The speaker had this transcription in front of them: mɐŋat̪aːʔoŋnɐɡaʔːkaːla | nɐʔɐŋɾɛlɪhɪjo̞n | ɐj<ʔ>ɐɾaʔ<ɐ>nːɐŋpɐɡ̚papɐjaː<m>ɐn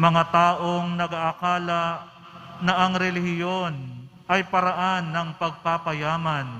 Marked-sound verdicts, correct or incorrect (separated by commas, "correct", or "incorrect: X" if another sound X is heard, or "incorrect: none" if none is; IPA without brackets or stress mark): incorrect: p, incorrect: a, correct